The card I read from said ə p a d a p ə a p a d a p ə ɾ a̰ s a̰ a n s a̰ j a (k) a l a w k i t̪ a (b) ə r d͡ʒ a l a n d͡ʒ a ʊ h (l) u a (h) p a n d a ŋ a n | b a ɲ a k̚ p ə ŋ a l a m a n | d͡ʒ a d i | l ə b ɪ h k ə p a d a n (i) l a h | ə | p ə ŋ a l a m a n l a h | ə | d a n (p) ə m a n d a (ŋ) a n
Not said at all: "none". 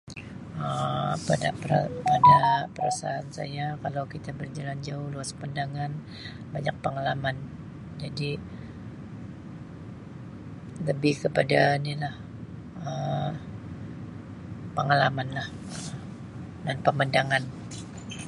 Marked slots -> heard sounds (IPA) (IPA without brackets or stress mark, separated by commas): k, b, l, s, i, p, ŋ